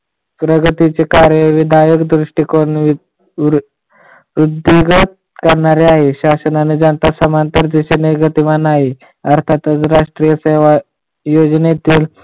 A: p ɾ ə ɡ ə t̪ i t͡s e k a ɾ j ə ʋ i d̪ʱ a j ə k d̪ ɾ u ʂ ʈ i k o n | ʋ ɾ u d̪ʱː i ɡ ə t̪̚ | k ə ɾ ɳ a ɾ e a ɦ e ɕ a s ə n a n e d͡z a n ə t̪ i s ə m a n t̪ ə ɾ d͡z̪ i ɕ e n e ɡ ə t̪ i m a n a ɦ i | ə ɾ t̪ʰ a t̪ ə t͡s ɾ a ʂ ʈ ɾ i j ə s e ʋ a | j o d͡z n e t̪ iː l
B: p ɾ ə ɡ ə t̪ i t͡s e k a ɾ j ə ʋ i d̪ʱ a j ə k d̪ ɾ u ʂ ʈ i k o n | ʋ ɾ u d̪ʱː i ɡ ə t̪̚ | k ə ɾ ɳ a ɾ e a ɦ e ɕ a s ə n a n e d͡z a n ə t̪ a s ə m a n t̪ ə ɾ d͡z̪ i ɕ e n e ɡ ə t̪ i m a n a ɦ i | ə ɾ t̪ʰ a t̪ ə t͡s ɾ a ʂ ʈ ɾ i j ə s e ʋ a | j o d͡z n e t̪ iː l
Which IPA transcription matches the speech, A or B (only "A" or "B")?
B